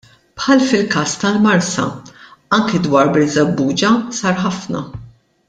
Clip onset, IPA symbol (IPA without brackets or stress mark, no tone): p